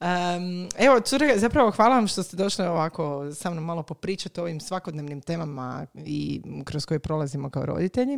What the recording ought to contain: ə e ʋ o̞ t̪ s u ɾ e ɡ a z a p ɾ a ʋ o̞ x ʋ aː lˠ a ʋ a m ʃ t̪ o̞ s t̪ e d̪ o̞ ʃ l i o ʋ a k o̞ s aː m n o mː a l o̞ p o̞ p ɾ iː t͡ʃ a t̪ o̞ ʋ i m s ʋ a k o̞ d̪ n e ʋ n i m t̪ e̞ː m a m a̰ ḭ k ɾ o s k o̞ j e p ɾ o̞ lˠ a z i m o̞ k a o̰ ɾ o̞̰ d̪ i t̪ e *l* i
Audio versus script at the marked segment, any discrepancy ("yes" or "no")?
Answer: yes